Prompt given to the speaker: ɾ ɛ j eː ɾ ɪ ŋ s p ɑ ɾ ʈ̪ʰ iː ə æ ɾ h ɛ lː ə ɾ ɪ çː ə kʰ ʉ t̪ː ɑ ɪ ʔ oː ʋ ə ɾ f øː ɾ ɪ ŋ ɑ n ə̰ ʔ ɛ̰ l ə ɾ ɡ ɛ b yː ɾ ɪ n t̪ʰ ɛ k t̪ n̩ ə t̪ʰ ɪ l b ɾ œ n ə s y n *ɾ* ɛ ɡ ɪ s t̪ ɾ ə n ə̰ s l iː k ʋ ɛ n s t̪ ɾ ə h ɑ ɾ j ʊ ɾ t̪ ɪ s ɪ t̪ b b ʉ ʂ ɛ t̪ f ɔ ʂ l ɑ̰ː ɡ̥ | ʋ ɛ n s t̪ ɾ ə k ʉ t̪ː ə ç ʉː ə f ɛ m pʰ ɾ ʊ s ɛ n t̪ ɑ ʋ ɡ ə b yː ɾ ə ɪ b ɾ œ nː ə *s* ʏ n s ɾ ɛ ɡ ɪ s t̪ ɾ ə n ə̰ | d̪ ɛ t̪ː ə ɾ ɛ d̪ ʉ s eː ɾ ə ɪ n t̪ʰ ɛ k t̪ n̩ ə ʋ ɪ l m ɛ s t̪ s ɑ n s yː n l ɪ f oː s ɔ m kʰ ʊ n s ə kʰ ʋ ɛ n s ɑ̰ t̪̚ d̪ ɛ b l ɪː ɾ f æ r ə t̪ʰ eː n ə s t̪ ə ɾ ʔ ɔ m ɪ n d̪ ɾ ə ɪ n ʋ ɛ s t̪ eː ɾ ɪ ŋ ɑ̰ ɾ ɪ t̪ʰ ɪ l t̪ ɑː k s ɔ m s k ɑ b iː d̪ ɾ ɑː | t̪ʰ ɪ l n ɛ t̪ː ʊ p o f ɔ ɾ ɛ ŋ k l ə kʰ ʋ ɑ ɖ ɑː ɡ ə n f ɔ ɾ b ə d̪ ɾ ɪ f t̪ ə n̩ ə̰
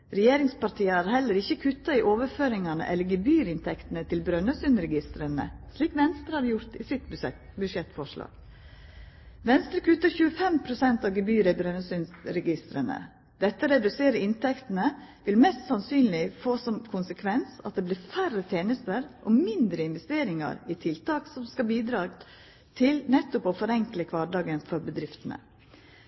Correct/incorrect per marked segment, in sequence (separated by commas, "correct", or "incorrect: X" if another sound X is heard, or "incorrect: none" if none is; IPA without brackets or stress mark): correct, correct